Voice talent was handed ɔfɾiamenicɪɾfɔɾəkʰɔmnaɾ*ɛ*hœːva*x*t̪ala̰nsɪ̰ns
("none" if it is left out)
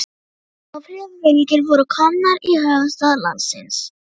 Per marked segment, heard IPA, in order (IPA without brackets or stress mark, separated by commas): i, s